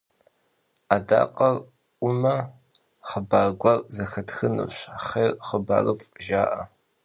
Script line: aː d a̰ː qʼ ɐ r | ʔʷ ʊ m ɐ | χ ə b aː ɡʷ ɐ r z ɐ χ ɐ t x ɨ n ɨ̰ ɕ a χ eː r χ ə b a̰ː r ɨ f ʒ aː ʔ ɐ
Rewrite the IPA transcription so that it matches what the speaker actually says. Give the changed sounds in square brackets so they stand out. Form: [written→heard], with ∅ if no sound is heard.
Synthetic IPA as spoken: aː d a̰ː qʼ ɐ r | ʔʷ ʊ m ɐ | χ ə b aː ɡʷ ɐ r z ɐ [χ→x] ɐ t x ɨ n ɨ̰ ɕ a χ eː r χ ə b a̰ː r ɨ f ʒ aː ʔ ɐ